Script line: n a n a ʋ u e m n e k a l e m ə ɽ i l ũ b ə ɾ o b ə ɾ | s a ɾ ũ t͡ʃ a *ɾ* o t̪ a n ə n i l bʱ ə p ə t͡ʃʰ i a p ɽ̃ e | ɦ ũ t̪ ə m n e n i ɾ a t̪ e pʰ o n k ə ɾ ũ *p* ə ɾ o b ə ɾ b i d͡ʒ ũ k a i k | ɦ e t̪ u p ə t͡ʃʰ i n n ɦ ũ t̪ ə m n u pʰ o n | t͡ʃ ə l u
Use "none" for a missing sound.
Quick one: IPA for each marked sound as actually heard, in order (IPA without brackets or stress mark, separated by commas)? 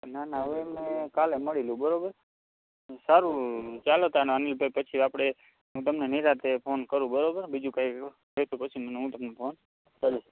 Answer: l, b